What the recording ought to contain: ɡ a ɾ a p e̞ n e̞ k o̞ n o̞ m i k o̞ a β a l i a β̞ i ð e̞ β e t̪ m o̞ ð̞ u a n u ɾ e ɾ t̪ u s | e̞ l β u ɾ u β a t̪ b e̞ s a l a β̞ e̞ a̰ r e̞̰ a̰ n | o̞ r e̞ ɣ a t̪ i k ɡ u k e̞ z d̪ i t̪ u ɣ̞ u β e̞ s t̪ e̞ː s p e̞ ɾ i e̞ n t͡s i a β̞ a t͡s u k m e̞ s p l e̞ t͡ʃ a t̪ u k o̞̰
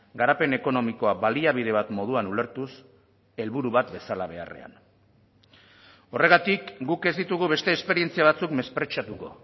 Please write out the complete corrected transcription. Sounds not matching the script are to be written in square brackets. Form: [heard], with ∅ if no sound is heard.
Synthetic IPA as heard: ɡ a ɾ a p e̞ n e̞ k o̞ n o̞ m i k o̞ a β a l i a β̞ i ð e̞ β [a] t̪ m o̞ ð̞ u a n u [l] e ɾ t̪ u s | e̞ l β u ɾ u β a t̪ b e̞ s a l a β̞ e̞ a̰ r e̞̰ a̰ n | o̞ r e̞ ɣ a t̪ i k ɡ u k e̞ z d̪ i t̪ u ɣ̞ u β e̞ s t̪ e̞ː s p e̞ ɾ i e̞ n t͡s i a β̞ a t͡s u k m e̞ s p [ɾ] e̞ t͡ʃ a t̪ u k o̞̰

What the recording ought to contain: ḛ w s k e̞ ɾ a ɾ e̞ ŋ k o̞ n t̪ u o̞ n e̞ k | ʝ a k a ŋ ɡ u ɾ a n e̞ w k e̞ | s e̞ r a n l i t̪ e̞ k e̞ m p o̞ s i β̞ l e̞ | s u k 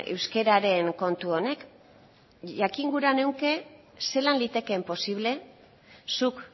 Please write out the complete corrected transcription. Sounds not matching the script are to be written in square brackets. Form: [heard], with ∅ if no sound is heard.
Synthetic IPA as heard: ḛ w s k e̞ ɾ a ɾ e̞ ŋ k o̞ n t̪ u o̞ n e̞ k | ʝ a k [i] ŋ ɡ u ɾ a n e̞ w k e̞ | s e̞ [l] a n l i t̪ e̞ k e̞ m p o̞ s i β̞ l e̞ | s u k

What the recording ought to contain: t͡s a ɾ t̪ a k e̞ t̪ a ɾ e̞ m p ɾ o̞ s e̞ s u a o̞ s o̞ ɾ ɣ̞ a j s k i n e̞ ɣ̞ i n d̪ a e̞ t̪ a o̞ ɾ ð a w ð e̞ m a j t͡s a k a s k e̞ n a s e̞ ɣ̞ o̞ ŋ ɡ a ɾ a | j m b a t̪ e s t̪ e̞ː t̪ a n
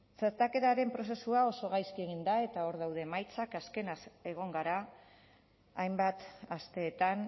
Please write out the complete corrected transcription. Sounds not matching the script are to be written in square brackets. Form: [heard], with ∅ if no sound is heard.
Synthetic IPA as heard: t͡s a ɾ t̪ a k e̞ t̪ a ɾ e̞ m p ɾ o̞ s e̞ s u a o̞ s o̞ [∅] ɣ̞ a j s k i [∅] e̞ ɣ̞ i n d̪ a e̞ t̪ a o̞ ɾ ð a w ð e̞ m a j t͡s a k a s k e̞ n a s e̞ ɣ̞ o̞ ŋ ɡ a ɾ a | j m b a t̪ [a] s t̪ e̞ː t̪ a n

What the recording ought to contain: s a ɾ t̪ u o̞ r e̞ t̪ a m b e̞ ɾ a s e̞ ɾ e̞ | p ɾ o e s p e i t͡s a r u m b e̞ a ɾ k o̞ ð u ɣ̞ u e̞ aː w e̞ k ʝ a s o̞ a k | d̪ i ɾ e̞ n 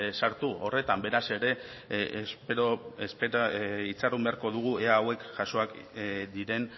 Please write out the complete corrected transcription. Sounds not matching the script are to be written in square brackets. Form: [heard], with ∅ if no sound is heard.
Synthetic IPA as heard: s a ɾ t̪ u o̞ r e̞ t̪ a m b e̞ ɾ a s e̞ ɾ e̞ | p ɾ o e s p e i t͡s a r u m b e̞ a ɾ k o̞ ð u ɣ̞ u e̞ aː w e̞ k ʝ a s o̞ a k | d̪ i ɾ e̞ n

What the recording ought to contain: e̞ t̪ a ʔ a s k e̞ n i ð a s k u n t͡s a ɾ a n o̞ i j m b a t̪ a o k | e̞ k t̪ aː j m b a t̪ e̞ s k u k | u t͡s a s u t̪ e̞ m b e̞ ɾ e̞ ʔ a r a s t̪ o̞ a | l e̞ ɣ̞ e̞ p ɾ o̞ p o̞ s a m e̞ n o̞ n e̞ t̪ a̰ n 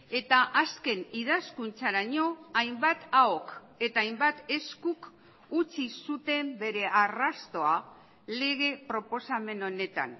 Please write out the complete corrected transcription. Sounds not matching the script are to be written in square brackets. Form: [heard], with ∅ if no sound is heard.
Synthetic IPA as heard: e̞ t̪ a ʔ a s k e̞ n i ð a s k u n t͡s a ɾ a [ɲ] o̞ [a] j m b a t̪ a o k | e̞ [∅] t̪ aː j m b a t̪ e̞ s k u k | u t͡s [i] s u t̪ e̞ m b e̞ ɾ e̞ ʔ a r a s t̪ o̞ a | l e̞ ɣ̞ e̞ p ɾ o̞ p o̞ s a m e̞ n o̞ n e̞ t̪ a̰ n

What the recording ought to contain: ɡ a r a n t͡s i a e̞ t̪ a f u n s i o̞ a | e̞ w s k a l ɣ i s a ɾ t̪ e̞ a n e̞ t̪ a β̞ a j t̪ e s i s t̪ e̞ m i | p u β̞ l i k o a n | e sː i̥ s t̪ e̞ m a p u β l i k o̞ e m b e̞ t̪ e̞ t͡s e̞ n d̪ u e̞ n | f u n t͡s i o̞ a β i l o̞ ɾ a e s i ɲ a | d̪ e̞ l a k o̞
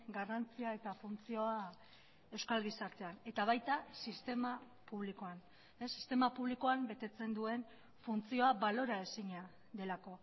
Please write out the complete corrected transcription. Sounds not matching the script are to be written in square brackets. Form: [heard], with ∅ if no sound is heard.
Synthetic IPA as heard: ɡ a r a n t͡s i a e̞ t̪ a f u n [t͡s] i o̞ a | e̞ w s k a l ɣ i s a ɾ t̪ e̞ a n e̞ t̪ a β̞ a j t̪ [a] s i s t̪ e̞ m [a] | p u β̞ l i k o a n | e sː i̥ s t̪ e̞ m a p u β l i k o̞ [a] m b e̞ t̪ e̞ t͡s e̞ n d̪ u e̞ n | f u n t͡s i o̞ a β [a] l o̞ ɾ a e s i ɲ a | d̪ e̞ l a k o̞

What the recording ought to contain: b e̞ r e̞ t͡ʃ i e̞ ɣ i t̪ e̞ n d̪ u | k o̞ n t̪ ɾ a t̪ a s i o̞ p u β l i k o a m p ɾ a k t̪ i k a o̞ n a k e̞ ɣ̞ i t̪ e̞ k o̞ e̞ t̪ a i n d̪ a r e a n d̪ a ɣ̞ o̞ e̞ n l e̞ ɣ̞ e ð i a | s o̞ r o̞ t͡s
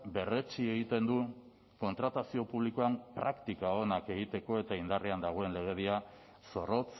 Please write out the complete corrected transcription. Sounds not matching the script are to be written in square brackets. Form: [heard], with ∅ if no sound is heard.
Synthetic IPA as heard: b e̞ r e̞ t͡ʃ i e̞ ɣ i t̪ e̞ n d̪ u | k o̞ n t̪ ɾ a t̪ a s i o̞ p u β l i k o a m p ɾ a k t̪ i k a o̞ n a k e̞ ɣ̞ i t̪ e̞ k o̞ e̞ t̪ a i n d̪ a r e a n d̪ a ɣ̞ o̞ e̞ n l e̞ ɣ̞ e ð i a | s o̞ r o̞ t͡s

